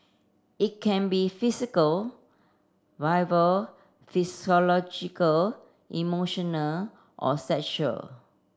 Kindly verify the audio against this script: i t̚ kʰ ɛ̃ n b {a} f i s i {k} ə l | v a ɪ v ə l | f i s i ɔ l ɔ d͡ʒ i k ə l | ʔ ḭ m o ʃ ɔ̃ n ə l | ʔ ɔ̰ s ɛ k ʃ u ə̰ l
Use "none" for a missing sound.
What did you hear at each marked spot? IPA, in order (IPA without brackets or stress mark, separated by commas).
i, k